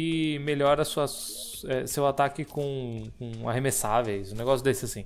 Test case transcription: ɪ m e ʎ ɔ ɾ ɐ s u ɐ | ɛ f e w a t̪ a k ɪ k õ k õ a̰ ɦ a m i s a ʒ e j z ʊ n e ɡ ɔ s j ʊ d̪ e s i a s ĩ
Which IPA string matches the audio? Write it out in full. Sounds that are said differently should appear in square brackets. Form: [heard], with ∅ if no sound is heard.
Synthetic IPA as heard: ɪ m e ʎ ɔ ɾ ɐ s u ɐ | ɛ [s] e w a t̪ a k ɪ k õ k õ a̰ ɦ [e] m [e] s a [v] e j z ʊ n e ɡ ɔ s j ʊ d̪ e s [ɪ] a s ĩ